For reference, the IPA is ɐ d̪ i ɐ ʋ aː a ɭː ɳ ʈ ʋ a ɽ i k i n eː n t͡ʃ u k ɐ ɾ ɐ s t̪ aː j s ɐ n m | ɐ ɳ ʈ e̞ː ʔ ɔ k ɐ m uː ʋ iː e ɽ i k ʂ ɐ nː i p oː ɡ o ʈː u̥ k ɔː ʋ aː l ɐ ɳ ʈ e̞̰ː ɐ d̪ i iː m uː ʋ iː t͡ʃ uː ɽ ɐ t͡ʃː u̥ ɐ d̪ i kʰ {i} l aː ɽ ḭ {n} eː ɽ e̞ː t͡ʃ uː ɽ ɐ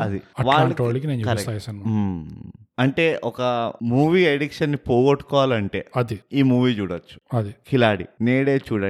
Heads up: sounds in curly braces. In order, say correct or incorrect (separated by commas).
correct, correct